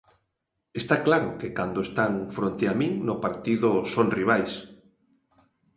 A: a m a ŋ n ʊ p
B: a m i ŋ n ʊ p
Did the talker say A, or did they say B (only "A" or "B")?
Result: B